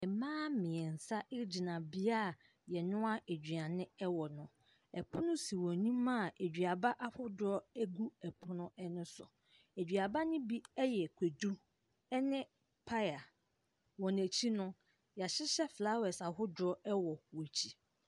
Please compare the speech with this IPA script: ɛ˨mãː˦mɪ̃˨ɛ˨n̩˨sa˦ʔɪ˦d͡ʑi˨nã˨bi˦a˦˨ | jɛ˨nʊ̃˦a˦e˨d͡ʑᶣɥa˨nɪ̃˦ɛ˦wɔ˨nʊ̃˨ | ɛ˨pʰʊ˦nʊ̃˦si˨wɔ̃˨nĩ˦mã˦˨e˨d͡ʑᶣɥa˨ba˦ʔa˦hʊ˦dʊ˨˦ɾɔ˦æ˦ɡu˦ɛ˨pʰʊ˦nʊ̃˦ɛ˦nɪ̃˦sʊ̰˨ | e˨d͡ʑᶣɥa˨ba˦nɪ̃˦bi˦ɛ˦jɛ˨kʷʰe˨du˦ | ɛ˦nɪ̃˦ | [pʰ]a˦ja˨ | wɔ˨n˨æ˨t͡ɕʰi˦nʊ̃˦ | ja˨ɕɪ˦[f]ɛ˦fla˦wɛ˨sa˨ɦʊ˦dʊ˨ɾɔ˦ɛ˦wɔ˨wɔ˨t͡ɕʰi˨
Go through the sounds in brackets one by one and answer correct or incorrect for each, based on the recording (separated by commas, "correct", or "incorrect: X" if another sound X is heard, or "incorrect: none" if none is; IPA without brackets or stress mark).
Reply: correct, incorrect: ɕ